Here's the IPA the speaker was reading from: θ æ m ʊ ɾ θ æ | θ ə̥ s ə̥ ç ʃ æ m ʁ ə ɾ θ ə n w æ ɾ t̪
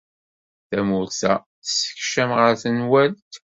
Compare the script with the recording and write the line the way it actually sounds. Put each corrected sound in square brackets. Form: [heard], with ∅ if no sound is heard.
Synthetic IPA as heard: θ æ m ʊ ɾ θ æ | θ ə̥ s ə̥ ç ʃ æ m ʁ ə ɾ θ ə n w æ [l] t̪